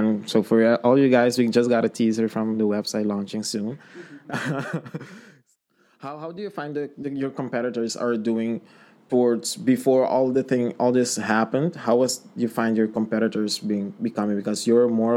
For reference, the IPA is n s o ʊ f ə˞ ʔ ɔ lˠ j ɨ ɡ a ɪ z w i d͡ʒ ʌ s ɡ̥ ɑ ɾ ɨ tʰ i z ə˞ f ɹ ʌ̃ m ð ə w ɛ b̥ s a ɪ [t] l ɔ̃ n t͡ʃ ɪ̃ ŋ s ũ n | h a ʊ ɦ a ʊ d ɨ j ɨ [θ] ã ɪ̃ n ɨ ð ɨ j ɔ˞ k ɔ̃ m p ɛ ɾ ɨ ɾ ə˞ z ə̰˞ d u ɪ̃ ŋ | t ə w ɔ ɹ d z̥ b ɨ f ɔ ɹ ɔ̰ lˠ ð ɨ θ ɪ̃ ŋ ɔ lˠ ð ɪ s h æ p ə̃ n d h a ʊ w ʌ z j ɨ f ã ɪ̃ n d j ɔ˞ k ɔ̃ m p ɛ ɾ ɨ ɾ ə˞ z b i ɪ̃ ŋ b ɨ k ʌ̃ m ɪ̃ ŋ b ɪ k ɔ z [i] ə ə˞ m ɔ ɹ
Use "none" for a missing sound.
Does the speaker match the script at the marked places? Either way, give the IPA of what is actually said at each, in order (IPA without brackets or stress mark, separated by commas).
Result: t, f, j